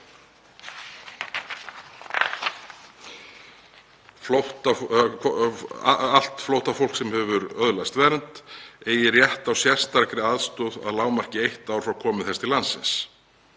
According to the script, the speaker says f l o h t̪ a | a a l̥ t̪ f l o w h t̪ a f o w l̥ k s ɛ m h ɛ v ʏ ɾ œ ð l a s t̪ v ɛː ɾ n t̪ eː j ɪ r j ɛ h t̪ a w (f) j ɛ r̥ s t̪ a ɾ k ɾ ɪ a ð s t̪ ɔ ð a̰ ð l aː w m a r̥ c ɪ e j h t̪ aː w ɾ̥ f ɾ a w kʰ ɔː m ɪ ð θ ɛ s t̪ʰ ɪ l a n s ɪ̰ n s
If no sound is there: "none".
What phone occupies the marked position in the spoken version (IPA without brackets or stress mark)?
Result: s